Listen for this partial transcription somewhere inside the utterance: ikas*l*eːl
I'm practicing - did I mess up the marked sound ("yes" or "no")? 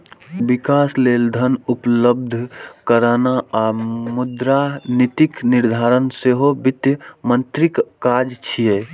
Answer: no